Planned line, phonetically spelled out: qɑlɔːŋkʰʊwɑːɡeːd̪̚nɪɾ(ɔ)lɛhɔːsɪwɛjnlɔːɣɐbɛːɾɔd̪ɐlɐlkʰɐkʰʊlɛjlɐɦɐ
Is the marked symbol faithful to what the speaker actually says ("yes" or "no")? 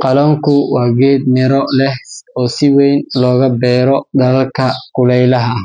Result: yes